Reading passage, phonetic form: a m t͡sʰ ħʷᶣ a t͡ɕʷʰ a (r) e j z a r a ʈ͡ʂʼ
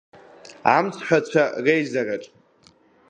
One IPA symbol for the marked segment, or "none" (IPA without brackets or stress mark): r